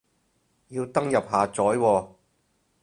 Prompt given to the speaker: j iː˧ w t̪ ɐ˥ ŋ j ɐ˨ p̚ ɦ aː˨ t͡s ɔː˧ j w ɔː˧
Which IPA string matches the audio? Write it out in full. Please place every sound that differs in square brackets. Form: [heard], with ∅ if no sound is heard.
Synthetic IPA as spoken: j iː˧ w t̪ ɐ˥ ŋ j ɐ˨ p̚ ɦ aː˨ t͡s [ɔː˨˥] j w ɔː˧